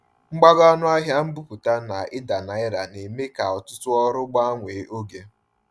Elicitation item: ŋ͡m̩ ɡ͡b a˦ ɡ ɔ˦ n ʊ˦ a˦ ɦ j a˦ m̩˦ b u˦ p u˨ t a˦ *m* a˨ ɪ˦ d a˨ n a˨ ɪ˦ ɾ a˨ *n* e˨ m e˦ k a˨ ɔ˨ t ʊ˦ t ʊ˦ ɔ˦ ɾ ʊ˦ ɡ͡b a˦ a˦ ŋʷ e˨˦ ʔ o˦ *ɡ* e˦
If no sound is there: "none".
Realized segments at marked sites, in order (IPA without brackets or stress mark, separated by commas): n, n, ɡ